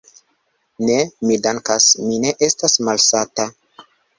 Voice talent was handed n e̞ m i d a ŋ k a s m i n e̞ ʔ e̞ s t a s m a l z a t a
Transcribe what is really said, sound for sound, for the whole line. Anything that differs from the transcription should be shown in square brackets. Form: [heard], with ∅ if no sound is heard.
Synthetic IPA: n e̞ m i d a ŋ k a s m i n e̞ ʔ e̞ s t a s m a l [s] a t a